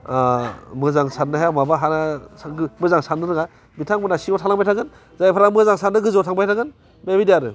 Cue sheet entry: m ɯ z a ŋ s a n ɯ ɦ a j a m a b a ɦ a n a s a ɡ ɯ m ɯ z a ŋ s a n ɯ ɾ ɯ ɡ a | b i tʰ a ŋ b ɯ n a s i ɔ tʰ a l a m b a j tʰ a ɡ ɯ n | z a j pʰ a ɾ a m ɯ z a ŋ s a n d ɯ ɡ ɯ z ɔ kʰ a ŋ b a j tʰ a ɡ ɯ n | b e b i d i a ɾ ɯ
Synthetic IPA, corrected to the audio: m ɯ z a ŋ s a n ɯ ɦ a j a m a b a ɦ a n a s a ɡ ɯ m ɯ z a ŋ s a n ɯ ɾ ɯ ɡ a | b i tʰ a ŋ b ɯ n a s i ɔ tʰ a l a ŋ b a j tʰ a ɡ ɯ n | z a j pʰ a ɾ a m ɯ z a ŋ s a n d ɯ ɡ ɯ z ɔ tʰ a ŋ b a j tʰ a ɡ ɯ n | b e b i d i a ɾ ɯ

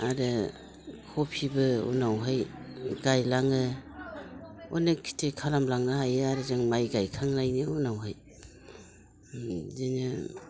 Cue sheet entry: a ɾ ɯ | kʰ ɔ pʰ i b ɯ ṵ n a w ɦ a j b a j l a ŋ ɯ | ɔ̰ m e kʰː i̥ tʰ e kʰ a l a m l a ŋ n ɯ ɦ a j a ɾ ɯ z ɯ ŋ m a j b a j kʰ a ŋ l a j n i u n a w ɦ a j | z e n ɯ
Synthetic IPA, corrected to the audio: a ɾ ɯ | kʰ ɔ pʰ i b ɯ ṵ n a w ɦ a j ɡ a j l a ŋ ɯ | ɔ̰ n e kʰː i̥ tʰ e kʰ a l a m l a ŋ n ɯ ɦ a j a ɾ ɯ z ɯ ŋ m a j ɡ a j kʰ a ŋ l a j n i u n a w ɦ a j | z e n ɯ

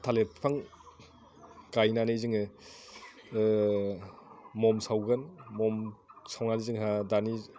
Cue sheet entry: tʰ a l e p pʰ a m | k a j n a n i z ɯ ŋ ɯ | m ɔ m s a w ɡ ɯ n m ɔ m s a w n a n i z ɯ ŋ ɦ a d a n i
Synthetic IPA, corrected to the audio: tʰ a l e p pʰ a ŋ | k a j n a n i z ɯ ŋ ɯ | m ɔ m s a w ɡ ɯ n m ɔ m s a w n a n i z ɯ ŋ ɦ a d a n i

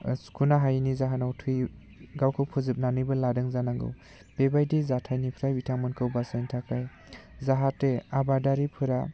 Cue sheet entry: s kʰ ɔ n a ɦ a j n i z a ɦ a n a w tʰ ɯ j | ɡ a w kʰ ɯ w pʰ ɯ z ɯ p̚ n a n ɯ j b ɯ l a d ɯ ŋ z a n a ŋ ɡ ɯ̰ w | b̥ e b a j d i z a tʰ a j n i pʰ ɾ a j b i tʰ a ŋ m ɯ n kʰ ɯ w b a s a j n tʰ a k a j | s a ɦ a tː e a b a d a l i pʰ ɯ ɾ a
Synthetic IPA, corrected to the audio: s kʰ u n a ɦ a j n i z a ɦ a n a w tʰ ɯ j | ɡ a w kʰ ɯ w pʰ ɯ z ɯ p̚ n a n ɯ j b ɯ l a d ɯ ŋ z a n a ŋ ɡ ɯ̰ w | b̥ e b a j d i z a tʰ a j n i pʰ ɾ a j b i tʰ a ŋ m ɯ n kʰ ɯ w b a s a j n tʰ a k a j | z a ɦ a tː e a b a d a ɾ i pʰ ɯ ɾ a

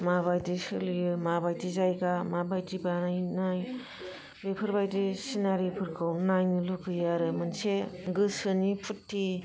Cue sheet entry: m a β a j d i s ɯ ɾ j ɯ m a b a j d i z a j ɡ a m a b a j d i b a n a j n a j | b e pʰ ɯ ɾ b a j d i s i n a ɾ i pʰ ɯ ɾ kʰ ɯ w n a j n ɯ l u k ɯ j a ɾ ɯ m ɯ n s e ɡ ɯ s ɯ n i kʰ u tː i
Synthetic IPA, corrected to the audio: m a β a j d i s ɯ l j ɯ m a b a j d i z a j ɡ a m a b a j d i b a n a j n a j | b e pʰ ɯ ɾ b a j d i s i n a ɾ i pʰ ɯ ɾ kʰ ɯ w n a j n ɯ l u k ɯ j a ɾ ɯ m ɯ n s e ɡ ɯ s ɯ n i pʰ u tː i

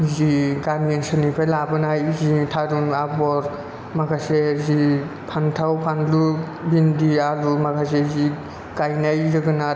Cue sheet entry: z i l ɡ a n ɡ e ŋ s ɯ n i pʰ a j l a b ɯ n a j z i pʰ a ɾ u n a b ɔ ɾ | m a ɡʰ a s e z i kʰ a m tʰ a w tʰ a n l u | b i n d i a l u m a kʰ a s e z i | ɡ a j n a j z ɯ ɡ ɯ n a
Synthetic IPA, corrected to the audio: z i ɡ a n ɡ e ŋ s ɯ n i pʰ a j l a b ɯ n a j z i tʰ a ɾ u n a b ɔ ɾ | m a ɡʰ a s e z i pʰ a n tʰ a w pʰ a n l u | b i n d i a l u m a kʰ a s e z i | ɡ a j n a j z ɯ ɡ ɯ n a

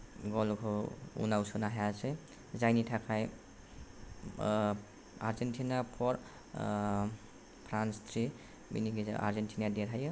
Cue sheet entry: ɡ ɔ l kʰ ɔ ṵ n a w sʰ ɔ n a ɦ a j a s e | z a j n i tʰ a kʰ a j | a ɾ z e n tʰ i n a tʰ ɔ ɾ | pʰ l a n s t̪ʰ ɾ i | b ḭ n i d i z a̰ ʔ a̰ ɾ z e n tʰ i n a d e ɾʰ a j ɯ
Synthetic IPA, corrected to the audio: ɡ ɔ l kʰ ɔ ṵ n a w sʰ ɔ n a ɦ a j a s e | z a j n i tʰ a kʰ a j | a ɾ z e n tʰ i n a pʰ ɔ ɾ | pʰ ɾ a n s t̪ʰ ɾ i | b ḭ n i ɡ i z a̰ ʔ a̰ ɾ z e n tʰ i n a d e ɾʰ a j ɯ

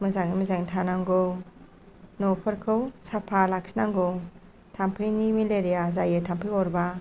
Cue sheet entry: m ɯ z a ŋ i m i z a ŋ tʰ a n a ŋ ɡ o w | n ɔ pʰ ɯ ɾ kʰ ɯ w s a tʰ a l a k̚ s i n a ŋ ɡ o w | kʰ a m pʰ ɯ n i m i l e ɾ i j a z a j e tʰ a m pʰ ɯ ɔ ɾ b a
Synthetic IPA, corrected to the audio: m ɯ z a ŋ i m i z a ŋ tʰ a n a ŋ ɡ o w | n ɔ pʰ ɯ ɾ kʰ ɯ w s a pʰ a l a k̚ s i n a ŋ ɡ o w | tʰ a m pʰ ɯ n i m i l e ɾ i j a z a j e tʰ a m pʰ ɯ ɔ ɾ b a

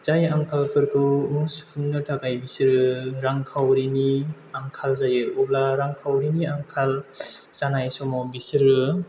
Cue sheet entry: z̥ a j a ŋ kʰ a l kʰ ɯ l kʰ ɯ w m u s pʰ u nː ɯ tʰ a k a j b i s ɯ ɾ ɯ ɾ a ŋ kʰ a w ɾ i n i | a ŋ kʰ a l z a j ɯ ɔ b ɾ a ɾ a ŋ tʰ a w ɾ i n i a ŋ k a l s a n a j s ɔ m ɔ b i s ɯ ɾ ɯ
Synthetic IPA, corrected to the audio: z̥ a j a ŋ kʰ a l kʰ ɯ ɾ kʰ ɯ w m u s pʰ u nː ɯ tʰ a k a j b i s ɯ ɾ ɯ ɾ a ŋ kʰ a w ɾ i n i | a ŋ kʰ a l z a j ɯ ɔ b l a ɾ a ŋ kʰ a w ɾ i n i a ŋ kʰ a l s a n a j s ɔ m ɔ b i s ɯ ɾ ɯ

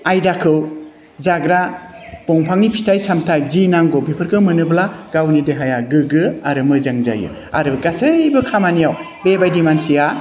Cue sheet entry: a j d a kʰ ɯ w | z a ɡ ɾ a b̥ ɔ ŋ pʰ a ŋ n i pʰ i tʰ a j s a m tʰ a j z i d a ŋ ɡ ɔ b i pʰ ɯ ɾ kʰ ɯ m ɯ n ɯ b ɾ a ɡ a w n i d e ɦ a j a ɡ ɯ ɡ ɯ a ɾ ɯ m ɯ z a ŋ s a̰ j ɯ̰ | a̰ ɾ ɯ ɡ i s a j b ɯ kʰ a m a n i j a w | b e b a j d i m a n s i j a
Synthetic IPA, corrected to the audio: a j d a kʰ ɯ w | z a ɡ ɾ a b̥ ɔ ŋ pʰ a ŋ n i pʰ i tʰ a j s a m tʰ a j z i n a ŋ ɡ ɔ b i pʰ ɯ ɾ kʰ ɯ m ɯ n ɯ b l a ɡ a w n i d e ɦ a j a ɡ ɯ ɡ ɯ a ɾ ɯ m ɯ z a ŋ z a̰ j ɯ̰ | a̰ ɾ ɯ ɡ a s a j b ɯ kʰ a m a n i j a w | b e b a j d i m a n s i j a

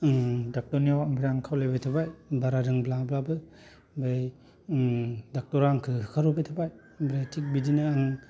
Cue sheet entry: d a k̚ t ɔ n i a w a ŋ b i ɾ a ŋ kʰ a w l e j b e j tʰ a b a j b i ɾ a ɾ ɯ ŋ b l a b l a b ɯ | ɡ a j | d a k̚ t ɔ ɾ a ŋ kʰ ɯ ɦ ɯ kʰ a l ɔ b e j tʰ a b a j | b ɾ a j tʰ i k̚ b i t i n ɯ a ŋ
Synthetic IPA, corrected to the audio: d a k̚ t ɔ n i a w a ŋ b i ɾ a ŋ kʰ a w l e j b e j tʰ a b a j b a ɾ a ɾ ɯ ŋ b l a b l a b ɯ | b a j | d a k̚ t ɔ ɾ a ŋ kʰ ɯ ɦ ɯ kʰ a ɾ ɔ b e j tʰ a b a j | b ɾ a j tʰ i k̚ b i d i n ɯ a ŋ

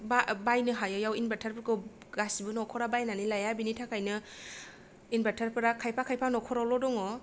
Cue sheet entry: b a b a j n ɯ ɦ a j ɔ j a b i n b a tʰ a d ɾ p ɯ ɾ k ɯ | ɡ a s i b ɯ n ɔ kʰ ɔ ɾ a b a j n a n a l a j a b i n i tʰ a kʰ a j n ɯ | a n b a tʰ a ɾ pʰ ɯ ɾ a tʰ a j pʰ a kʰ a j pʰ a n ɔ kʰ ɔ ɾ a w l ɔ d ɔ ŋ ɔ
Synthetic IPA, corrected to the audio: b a b a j n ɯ ɦ a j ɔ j a w i n b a tʰ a ɾ p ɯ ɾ k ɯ | ɡ a s i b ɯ n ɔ kʰ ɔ ɾ a b a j n a n i l a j a b i n i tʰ a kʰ a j n ɯ | i n b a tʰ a ɾ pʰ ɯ ɾ a kʰ a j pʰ a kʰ a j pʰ a n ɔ kʰ ɔ ɾ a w l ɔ d ɔ ŋ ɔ

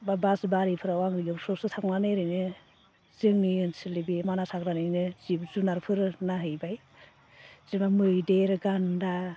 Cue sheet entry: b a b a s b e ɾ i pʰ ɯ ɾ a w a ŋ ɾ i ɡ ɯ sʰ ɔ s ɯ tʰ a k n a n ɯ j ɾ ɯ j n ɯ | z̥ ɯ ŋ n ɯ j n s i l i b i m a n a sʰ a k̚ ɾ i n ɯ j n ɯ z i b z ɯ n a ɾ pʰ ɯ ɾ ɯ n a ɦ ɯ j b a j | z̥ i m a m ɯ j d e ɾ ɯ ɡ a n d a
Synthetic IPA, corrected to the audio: b a b a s b a ɾ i pʰ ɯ ɾ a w a ŋ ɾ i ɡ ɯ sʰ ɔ s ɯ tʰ a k n a n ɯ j ɾ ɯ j n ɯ | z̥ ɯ ŋ n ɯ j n s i l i b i m a n a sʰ a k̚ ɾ a n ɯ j n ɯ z i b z u n a ɾ pʰ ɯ ɾ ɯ n a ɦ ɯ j b a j | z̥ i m a m ɯ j d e ɾ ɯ ɡ a n d a

